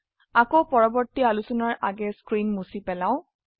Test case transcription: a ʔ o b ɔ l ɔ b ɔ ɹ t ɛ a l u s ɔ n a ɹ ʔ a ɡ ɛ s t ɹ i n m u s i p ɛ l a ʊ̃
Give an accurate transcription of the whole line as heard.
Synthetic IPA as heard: a k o p ɔ ɹ ɔ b ɔ ɹ t i a l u s ɔ n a ɹ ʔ a ɡ ɛ s k ɹ i n m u s i p ɛ l a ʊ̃